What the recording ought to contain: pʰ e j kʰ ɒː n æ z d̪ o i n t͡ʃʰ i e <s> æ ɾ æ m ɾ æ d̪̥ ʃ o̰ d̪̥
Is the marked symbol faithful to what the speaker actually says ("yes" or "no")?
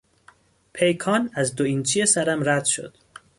yes